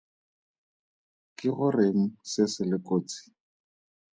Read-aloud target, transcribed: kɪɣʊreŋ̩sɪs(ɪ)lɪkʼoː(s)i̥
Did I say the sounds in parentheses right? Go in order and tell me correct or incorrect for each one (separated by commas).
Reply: correct, incorrect